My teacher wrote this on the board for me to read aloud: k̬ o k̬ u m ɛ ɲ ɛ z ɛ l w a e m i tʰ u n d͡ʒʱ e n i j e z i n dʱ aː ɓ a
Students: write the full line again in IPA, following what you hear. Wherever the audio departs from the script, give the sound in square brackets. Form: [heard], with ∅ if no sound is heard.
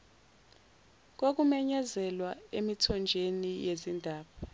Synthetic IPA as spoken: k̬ o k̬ u m ɛ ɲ ɛ z ɛ l w a e m i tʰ [ɔ] n d͡ʒʱ e n i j e z i n dʱ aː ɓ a